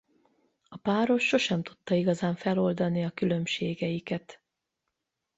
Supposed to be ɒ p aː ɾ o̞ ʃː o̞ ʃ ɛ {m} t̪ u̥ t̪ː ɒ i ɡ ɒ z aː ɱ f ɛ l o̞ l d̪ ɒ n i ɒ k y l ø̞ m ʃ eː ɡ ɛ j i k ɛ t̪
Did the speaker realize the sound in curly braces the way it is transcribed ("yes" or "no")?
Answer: yes